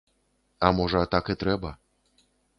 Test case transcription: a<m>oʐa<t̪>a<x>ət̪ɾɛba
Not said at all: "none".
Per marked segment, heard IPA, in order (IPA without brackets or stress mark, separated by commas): m, t̪, k